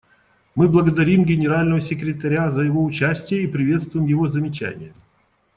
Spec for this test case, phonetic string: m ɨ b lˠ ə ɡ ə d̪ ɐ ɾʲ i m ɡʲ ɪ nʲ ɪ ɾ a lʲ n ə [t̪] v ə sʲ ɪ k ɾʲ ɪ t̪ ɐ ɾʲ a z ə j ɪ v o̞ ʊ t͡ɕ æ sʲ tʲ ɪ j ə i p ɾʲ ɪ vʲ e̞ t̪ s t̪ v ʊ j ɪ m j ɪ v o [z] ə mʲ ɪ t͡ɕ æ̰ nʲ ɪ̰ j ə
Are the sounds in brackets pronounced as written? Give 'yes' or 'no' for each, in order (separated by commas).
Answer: no, yes